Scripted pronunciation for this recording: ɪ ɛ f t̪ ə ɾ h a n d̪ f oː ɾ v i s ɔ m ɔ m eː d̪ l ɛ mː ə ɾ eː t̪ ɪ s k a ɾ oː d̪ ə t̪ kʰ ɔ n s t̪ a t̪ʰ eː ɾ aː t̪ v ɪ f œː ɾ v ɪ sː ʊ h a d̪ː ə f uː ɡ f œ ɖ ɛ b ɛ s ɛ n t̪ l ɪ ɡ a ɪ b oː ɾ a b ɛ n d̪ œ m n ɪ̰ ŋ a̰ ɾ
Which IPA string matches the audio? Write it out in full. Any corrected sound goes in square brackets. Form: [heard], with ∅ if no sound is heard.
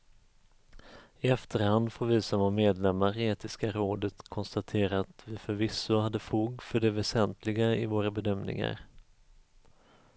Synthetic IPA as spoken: ɪ ɛ f t̪ ə ɾ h a n d̪ f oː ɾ v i s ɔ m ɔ m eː d̪ l ɛ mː [a] ɾ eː t̪ ɪ s k a ɾ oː d̪ ə t̪ kʰ ɔ n s t̪ a t̪ʰ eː ɾ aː t̪ v ɪ f [œ] ɾ v ɪ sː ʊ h a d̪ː ə f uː ɡ f œ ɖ ɛ [v] ɛ s ɛ n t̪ l ɪ ɡ a ɪ [v] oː ɾ a b ɛ [∅] d̪ œ m n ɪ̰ ŋ a̰ ɾ